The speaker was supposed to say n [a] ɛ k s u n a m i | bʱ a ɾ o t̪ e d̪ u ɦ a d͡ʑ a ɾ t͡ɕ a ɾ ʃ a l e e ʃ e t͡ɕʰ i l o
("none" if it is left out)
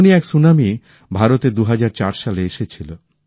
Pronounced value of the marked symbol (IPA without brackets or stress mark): i